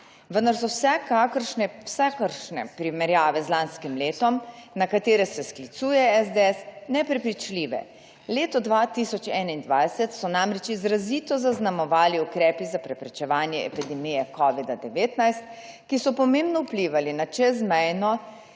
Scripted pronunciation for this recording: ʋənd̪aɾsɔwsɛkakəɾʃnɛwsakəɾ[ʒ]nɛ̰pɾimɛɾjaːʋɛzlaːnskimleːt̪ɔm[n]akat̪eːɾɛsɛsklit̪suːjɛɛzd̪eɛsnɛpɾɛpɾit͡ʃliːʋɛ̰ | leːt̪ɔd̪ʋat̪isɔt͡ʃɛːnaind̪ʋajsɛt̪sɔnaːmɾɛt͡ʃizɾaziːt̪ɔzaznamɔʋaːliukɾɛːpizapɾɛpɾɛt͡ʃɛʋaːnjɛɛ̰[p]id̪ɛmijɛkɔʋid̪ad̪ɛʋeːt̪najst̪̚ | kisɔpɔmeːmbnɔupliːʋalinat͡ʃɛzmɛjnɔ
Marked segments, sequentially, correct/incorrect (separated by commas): incorrect, correct, correct